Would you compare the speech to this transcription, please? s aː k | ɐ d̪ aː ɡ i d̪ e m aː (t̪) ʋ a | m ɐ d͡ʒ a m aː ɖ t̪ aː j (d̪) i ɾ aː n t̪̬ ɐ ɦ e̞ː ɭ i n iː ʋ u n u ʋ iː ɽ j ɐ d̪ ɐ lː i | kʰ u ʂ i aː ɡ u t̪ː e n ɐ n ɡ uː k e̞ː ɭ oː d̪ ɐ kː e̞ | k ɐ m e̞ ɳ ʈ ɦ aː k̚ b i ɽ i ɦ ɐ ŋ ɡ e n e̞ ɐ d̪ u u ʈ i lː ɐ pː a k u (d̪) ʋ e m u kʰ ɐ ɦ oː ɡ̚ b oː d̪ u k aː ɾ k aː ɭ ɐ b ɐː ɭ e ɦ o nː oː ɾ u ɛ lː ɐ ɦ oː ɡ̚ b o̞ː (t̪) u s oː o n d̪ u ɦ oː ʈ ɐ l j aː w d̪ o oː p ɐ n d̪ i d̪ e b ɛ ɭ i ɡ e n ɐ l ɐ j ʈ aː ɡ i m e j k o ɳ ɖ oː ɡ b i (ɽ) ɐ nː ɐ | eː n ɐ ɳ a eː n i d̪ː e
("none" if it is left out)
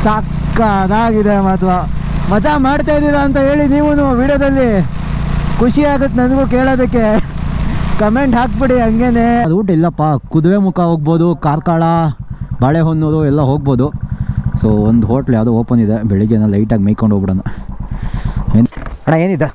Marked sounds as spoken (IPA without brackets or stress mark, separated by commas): t̪, d̪, d̪, d̪, ɽ